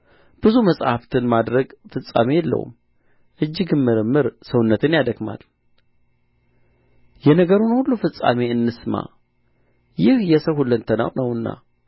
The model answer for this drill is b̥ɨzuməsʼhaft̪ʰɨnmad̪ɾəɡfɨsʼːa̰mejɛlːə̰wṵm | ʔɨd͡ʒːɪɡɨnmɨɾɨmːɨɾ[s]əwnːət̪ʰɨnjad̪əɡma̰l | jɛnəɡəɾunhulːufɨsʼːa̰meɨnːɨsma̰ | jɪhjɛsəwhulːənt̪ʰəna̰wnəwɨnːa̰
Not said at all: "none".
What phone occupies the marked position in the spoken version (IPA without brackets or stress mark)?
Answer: s